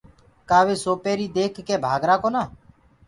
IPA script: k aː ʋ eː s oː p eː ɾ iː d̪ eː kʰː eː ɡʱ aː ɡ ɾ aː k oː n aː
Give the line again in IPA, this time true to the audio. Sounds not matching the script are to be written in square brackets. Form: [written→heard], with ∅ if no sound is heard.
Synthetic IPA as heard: k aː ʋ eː s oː p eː ɾ iː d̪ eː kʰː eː [ɡʱ→bʱ] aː ɡ ɾ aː k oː n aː